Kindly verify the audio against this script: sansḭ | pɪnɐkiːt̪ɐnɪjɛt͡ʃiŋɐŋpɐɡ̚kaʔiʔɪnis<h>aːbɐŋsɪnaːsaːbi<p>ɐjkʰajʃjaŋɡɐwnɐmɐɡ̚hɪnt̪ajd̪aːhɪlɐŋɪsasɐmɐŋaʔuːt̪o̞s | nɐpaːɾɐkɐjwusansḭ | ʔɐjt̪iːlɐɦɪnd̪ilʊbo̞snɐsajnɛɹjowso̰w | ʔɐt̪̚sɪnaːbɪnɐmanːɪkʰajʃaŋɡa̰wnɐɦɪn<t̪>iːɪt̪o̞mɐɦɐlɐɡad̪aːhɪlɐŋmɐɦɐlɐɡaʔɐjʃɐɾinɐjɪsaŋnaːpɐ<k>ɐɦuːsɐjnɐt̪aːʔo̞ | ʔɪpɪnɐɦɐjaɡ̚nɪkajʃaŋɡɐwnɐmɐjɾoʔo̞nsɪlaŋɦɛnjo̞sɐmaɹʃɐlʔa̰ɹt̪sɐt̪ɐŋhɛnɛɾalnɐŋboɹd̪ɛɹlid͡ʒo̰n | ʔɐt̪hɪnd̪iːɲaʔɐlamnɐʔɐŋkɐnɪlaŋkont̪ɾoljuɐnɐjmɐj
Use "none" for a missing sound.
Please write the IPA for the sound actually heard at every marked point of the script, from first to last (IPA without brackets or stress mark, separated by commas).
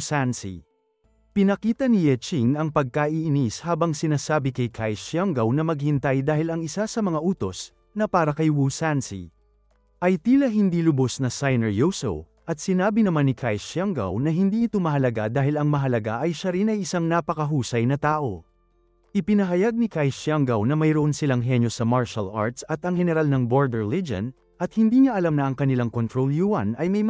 h, k, d̪, k